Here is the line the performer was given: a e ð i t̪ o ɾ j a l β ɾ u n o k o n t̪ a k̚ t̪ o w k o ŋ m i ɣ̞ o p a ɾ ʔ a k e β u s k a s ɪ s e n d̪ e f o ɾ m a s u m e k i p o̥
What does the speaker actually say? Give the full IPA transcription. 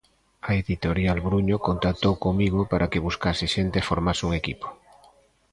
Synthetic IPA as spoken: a e ð i t̪ o ɾ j a l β ɾ u ɲ o k o n t̪ a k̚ t̪ o w k o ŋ m i ɣ̞ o p a ɾ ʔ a k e β u s k a s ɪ ʃ e n t̪ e f o ɾ m a s u ŋ e k i p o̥